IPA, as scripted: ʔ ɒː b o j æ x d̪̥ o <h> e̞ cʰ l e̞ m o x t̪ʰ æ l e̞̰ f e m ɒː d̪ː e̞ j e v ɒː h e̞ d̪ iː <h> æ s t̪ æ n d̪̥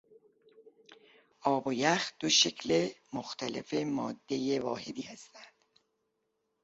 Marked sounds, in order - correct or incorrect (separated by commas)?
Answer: incorrect, correct